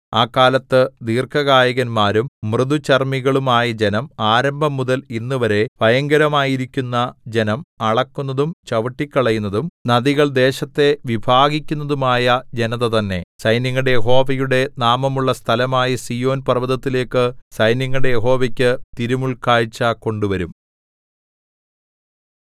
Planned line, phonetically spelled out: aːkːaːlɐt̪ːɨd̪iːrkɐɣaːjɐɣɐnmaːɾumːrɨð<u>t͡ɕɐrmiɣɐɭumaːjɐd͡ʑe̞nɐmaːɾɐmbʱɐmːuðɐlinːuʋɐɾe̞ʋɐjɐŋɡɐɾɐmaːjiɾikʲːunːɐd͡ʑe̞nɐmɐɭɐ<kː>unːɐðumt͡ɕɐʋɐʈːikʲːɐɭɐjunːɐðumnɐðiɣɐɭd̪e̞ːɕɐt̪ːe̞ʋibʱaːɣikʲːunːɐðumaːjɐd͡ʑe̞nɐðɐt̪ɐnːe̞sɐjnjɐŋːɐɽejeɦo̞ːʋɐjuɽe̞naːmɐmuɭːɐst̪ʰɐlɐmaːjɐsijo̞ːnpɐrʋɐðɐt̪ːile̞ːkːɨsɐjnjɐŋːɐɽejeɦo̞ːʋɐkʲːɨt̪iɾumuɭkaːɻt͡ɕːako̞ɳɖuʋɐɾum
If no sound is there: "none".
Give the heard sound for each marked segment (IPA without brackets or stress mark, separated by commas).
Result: u, kː